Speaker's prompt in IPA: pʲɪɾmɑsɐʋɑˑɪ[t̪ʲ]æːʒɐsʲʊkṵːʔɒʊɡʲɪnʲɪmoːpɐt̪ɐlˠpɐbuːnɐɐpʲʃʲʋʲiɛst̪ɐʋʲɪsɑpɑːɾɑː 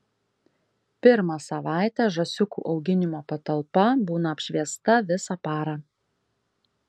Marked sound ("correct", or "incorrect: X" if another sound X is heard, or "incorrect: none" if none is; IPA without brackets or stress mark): correct